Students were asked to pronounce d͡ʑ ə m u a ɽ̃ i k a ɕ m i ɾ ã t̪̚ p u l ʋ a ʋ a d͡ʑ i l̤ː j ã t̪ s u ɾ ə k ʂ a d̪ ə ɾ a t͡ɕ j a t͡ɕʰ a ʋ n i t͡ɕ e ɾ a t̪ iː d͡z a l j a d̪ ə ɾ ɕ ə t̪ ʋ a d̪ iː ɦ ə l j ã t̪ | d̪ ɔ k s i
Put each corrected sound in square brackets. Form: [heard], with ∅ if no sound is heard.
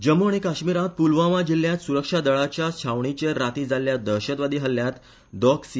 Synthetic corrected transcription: d͡ʑ ə m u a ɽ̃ i k a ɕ m i ɾ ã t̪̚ p u l ʋ a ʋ a d͡ʑ i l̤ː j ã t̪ s u ɾ ə k ʂ a d̪ ə [ɭ] a t͡ɕ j a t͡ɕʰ a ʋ [ɳ] i t͡ɕ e ɾ a t̪ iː d͡z a l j a d̪ ə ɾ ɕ ə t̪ ʋ a d̪ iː ɦ ə l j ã t̪ | d̪ ɔ k s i